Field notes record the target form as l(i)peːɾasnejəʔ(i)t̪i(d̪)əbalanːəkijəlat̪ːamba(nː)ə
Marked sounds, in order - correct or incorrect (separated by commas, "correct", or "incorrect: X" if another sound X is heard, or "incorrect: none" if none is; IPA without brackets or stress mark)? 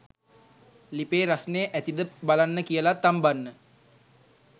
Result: correct, incorrect: æ, correct, correct